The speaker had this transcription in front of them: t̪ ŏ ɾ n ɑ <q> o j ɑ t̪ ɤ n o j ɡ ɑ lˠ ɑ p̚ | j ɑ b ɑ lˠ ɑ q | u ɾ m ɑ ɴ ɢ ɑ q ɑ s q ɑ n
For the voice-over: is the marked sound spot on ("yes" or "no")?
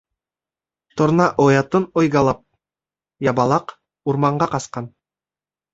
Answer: no